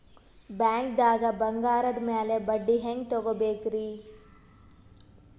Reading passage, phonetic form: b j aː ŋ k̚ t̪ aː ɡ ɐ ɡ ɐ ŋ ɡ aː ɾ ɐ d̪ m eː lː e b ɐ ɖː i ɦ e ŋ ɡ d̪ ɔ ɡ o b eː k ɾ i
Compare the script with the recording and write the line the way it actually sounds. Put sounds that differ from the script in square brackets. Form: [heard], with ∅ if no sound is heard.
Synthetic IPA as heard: b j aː ŋ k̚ [d̪] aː ɡ ɐ [b] ɐ ŋ ɡ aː ɾ ɐ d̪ m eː [l] e b ɐ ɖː i ɦ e ŋ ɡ [t̪] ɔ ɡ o b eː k ɾ i